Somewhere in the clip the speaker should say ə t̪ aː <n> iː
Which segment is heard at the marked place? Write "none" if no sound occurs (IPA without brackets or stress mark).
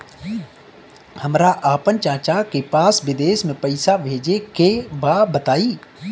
none